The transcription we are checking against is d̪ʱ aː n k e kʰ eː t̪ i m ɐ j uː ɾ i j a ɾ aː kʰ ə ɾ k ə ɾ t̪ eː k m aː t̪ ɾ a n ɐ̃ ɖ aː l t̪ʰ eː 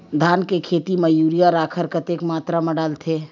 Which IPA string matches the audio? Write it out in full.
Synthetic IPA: d̪ʱ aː n k e kʰ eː t̪ i m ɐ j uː ɾ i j a ɾ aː kʰ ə ɾ k ə t̪ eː k m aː t̪ ɾ a m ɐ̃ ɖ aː l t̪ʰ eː